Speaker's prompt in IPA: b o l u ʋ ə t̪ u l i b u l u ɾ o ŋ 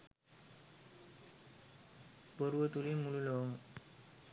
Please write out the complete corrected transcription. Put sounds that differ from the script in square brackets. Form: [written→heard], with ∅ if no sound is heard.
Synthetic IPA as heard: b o [l→ɾ] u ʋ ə t̪ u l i [b→m] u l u [ɾ→l] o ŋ